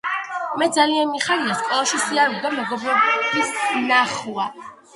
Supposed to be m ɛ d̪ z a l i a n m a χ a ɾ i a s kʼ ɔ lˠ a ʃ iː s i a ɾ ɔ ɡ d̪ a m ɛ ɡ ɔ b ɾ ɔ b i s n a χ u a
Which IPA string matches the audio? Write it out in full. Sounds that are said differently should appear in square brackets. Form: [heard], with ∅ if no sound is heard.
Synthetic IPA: m ɛ d̪ z a l i a n m [i] χ a ɾ i a s kʼ ɔ lˠ a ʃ [i] s i a ɾ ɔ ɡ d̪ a m ɛ ɡ ɔ b ɾ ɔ b i s n a χ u a